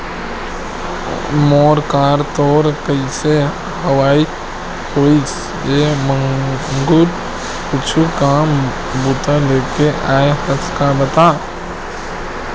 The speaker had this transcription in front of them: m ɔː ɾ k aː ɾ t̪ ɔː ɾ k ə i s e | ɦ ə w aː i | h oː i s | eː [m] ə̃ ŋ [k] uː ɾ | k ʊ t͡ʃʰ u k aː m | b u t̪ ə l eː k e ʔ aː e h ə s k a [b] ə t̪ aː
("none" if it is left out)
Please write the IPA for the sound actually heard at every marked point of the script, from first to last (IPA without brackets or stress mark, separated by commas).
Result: m, ɡ, b